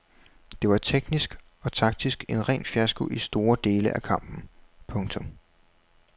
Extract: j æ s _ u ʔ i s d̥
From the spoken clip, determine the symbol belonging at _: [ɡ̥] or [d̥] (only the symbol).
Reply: ɡ̥